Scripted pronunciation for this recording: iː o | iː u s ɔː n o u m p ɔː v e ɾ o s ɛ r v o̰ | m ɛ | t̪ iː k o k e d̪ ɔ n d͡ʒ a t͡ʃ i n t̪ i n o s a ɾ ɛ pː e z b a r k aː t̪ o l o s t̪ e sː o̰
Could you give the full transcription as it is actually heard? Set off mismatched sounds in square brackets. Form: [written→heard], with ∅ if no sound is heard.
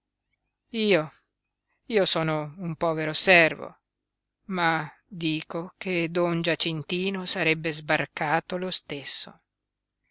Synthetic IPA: iː o | iː [u→o] s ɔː n o u m p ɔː v e ɾ o s ɛ r v o̰ | m [ɛ→a] | [t̪→d̪] iː k o k e d̪ ɔ n d͡ʒ a t͡ʃ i n t̪ [i→iː] n o s a ɾ ɛ [pː→bː] e z b a r k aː t̪ o l o s t̪ e sː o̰

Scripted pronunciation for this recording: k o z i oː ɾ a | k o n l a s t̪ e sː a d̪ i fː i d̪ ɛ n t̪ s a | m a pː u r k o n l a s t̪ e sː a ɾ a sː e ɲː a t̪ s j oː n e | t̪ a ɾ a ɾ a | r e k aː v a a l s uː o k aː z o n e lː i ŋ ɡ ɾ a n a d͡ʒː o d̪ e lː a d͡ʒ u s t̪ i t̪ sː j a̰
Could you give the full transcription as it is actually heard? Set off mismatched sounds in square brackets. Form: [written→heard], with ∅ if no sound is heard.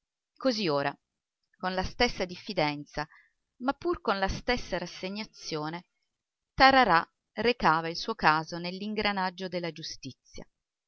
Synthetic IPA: k o z i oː ɾ a | k o n l a s t̪ e sː a d̪ i fː i d̪ ɛ n t̪ s a | m a pː u r k o n l a s t̪ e sː a ɾ a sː e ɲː a t̪ s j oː n e | t̪ a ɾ a ɾ a | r e k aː v a [a→i] l s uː o k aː z o n e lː i ŋ ɡ ɾ a n a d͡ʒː o d̪ e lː a d͡ʒ u s t̪ i t̪ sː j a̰

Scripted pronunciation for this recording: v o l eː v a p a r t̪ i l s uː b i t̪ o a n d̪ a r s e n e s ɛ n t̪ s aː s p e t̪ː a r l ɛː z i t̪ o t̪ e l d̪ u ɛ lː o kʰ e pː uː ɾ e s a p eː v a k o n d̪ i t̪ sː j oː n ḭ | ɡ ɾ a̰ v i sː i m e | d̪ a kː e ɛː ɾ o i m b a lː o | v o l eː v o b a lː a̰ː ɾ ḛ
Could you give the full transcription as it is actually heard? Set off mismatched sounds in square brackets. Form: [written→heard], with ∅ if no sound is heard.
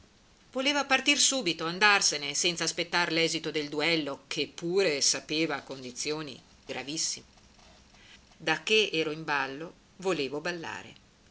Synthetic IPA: v o l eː v a p a r t̪ i [l→r] s uː b i t̪ o a n d̪ a r s e n e s ɛ n t̪ s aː s p e t̪ː a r l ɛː z i t̪ o [t̪→d̪] e l d̪ u ɛ lː o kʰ e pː uː ɾ e s a p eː v a k o n d̪ i t̪ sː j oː n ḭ | ɡ ɾ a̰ v i sː i m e | d̪ a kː e ɛː ɾ o i m b a lː o | v o l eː v o b a lː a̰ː ɾ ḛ

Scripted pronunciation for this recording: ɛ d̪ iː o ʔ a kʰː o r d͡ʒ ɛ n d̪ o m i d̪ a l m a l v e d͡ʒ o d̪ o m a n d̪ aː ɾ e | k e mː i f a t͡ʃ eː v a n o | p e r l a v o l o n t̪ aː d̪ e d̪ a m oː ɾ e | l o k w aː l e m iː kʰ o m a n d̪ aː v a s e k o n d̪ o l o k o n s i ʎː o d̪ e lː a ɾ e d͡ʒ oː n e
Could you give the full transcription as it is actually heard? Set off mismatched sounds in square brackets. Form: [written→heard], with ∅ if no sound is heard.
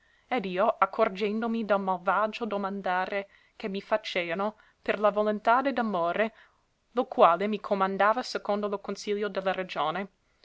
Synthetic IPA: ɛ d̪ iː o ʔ a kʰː o r d͡ʒ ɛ n d̪ o m i d̪ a l m a l v [e→a] d͡ʒ o d̪ o m a n d̪ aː ɾ e | k e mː i f a t͡ʃ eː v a n o | p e r l a v o l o n t̪ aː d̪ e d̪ a m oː ɾ e | l o k w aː l e m [iː→i] kʰ o m a n d̪ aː v a s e k o n d̪ o l o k o n s i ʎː o d̪ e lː a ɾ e d͡ʒ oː n e

